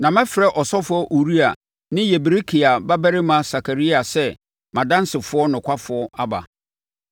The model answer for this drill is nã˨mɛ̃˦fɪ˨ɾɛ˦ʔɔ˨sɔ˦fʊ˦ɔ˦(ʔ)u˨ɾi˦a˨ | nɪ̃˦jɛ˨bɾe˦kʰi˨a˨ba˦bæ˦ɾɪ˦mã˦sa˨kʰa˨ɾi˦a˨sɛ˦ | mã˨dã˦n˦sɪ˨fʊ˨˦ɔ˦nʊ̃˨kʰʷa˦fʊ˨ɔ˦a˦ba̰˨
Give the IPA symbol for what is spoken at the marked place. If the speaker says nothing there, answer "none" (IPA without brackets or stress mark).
ʔ